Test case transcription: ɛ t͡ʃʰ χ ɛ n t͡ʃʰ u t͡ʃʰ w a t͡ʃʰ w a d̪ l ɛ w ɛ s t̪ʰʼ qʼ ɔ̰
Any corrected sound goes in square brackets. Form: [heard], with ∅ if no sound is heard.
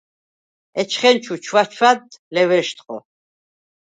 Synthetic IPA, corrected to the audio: ɛ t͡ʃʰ χ ɛ n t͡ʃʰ u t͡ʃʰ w a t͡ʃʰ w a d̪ l ɛ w ɛ [ʃ] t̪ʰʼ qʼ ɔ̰